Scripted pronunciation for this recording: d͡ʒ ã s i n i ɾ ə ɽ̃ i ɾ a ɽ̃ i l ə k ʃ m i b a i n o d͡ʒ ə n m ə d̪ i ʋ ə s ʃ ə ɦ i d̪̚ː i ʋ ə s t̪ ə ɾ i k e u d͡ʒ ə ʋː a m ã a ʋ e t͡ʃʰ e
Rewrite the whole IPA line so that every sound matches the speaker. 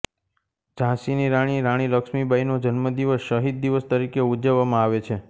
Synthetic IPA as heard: d͡ʒ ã s i n i ɾ a ɽ̃ i ɾ a ɽ̃ i l ə k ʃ m i b a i n o d͡ʒ ə n m ə d̪ i ʋ ə s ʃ ə ɦ i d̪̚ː i ʋ ə s t̪ ə ɾ i k e u d͡ʒ ə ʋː a m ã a ʋ e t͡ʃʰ e

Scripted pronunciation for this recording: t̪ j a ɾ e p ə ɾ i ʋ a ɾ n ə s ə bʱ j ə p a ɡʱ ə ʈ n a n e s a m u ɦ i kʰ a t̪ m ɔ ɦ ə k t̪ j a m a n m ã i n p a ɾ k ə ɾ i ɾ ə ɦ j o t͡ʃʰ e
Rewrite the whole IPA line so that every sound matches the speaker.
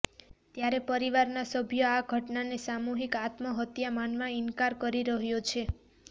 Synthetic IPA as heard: t̪ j a ɾ e p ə ɾ i ʋ a ɾ n a s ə bʱ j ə a ɡʱ ə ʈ n a n e s a m u ɦ i k a t̪ m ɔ ɦ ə t̪ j a m a n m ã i n k a ɾ k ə ɾ i ɾ ə ɦ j o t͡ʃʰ e

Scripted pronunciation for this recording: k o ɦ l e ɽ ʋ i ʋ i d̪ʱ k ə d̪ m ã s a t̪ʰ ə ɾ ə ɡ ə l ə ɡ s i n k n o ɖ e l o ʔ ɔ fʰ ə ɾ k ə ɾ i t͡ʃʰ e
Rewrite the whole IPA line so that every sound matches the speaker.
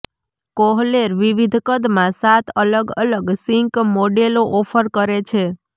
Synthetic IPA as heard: k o ɦ l e ɾ ʋ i ʋ i d̪ʱ k ə d̪ m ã s a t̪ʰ ə l ə ɡ ə l ə ɡ s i ŋ k m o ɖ e l o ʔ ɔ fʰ ə ɾ k ə ɾ e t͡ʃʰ e

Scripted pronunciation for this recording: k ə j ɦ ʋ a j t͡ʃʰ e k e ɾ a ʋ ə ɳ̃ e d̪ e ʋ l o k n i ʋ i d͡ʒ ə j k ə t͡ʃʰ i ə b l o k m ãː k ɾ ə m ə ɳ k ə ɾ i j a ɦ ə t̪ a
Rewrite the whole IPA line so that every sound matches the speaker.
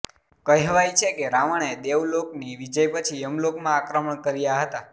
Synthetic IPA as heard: k ə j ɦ ʋ a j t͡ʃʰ e k e ɾ a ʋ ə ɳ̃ e d̪ e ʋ l o k n i ʋ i d͡ʒ ə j p ə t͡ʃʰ i ə m l o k m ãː k ɾ ə m ə ɳ k ə ɾ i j a ɦ ə t̪ a

